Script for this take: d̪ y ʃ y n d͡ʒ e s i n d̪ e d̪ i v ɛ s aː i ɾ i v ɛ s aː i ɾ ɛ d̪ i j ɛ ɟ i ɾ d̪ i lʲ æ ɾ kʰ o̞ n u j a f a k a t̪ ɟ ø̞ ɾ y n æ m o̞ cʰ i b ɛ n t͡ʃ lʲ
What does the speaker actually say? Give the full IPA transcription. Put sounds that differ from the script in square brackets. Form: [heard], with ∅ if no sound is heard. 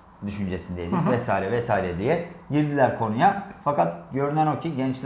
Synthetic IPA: d̪ y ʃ y n d͡ʒ e s i n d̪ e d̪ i v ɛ s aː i ɾ [ɛ] v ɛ s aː i ɾ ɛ d̪ i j ɛ ɟ i ɾ d̪ i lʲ æ ɾ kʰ o̞ n u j a f a k a t̪ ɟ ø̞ ɾ y n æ [n] o̞ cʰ i [ɟ] ɛ n t͡ʃ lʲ